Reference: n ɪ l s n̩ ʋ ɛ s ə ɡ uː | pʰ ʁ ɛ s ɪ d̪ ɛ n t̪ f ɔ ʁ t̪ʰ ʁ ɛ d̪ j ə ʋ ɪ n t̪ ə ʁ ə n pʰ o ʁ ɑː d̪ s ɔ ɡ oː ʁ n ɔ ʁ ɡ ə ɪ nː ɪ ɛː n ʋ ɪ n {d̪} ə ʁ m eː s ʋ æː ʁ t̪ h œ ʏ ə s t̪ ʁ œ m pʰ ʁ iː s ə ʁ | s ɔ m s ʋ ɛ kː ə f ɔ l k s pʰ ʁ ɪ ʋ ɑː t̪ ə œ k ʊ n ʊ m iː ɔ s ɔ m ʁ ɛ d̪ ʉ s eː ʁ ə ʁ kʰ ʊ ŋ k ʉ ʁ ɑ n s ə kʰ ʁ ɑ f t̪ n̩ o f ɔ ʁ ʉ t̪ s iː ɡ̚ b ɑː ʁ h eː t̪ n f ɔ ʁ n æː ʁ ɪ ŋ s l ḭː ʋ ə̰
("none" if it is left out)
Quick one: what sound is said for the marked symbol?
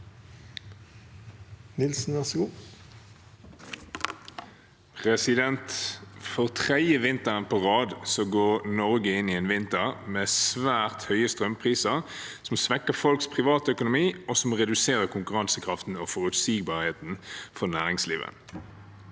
t̪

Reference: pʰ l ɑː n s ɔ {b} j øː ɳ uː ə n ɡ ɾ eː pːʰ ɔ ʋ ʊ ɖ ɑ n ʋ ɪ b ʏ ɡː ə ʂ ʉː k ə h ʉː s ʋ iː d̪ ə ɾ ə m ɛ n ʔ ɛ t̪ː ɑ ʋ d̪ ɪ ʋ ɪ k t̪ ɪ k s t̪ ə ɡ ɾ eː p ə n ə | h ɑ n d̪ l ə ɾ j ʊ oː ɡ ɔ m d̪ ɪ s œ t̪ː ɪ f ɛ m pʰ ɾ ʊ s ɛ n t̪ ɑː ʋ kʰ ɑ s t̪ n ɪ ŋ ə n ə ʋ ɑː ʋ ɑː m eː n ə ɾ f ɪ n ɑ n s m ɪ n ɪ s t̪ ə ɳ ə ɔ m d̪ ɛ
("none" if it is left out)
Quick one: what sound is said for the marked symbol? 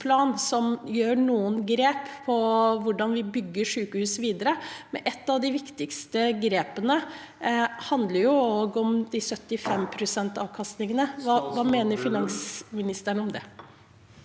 m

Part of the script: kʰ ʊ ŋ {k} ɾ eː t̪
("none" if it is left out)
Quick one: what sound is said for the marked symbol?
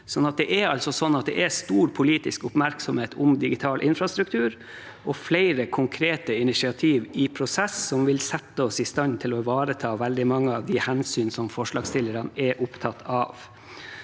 kʰ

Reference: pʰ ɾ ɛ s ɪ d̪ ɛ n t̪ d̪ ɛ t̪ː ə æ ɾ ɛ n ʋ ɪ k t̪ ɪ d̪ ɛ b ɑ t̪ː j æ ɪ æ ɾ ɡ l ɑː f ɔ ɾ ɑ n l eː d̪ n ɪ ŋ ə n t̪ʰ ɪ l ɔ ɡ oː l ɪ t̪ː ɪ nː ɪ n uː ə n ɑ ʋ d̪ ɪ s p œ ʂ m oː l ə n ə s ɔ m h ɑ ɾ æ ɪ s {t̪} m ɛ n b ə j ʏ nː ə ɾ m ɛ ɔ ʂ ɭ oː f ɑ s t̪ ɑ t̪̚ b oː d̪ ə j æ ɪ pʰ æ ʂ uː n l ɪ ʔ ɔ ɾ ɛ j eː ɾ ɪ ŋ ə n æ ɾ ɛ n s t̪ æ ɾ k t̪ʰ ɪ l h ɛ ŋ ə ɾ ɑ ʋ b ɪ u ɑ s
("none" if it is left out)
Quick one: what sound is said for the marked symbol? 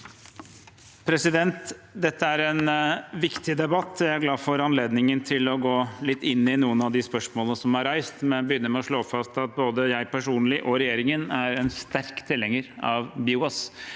t̪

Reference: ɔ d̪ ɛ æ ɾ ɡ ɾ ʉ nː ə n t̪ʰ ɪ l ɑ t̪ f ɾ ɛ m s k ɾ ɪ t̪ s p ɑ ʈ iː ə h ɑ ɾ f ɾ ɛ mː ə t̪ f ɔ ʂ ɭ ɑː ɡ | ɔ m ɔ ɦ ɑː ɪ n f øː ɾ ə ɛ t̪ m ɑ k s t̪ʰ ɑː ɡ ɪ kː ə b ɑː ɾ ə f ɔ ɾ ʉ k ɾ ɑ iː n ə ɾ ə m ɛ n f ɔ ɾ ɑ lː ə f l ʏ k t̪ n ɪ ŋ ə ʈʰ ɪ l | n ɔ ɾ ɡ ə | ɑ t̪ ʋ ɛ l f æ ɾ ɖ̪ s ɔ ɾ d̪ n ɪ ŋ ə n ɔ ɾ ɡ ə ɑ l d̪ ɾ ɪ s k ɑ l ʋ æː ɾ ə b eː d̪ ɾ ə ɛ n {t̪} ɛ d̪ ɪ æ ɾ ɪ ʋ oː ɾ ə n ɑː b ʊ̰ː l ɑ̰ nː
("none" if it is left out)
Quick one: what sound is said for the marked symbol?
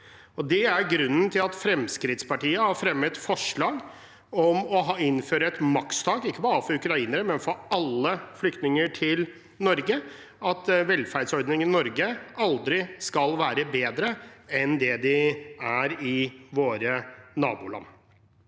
d̪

